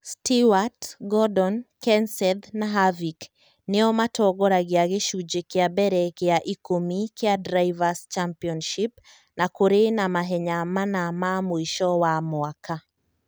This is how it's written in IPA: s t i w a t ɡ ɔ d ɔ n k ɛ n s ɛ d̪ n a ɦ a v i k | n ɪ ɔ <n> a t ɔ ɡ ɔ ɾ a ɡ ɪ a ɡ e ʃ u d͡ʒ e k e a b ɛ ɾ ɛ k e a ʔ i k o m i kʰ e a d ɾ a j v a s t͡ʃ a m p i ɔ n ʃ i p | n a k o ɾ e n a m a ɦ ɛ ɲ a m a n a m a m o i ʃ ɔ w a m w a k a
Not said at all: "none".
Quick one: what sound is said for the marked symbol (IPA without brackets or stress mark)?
m